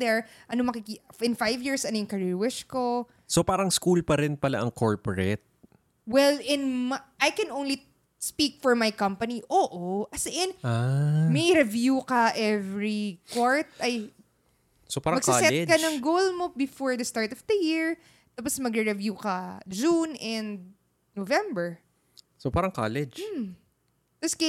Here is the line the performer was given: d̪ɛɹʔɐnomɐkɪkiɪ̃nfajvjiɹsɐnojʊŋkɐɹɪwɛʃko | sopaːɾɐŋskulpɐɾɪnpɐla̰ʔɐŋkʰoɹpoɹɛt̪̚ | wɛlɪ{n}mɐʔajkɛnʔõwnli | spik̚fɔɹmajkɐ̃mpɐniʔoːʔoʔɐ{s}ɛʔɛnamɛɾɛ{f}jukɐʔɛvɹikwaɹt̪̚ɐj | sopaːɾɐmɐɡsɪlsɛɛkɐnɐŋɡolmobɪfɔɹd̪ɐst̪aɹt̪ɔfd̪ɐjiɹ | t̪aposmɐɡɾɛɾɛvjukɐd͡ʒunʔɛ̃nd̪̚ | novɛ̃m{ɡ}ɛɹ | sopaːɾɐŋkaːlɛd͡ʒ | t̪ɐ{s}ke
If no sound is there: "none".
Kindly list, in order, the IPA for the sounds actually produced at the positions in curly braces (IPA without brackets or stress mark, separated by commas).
n, s, v, b, s